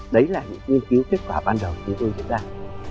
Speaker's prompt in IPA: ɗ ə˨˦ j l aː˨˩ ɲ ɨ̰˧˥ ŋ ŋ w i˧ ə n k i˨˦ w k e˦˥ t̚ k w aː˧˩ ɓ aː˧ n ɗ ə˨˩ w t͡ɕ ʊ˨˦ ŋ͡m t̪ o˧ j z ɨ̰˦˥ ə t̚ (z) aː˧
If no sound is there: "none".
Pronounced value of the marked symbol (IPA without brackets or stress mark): z